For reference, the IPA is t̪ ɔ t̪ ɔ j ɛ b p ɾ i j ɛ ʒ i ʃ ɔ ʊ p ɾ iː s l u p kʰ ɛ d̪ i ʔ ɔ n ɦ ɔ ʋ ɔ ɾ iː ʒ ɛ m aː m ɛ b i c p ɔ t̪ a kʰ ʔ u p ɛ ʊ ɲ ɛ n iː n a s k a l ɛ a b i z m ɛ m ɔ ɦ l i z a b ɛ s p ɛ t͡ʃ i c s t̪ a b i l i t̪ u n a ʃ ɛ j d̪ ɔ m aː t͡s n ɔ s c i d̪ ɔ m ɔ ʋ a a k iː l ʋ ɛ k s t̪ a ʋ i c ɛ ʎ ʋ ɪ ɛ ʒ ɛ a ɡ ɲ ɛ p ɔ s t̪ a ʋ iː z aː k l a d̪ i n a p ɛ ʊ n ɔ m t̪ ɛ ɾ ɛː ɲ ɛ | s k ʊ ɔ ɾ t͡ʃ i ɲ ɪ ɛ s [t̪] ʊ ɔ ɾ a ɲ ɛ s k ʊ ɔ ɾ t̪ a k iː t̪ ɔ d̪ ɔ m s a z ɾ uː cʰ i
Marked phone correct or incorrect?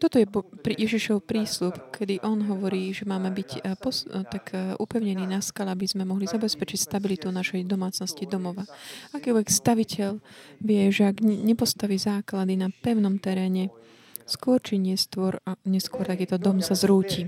correct